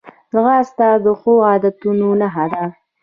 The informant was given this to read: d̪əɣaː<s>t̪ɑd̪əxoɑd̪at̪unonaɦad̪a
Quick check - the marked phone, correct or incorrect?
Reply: correct